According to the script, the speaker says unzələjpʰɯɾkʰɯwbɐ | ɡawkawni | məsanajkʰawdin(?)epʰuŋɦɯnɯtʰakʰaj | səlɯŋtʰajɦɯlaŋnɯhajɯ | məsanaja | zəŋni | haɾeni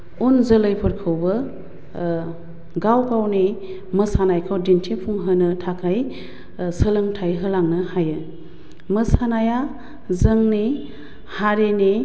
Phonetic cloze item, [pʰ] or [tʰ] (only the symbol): tʰ